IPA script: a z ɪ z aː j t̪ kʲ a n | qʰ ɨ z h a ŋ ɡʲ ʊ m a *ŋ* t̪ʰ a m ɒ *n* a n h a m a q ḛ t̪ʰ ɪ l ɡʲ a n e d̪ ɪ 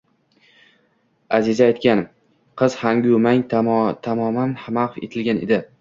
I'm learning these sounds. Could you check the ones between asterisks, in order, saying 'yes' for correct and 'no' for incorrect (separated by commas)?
yes, no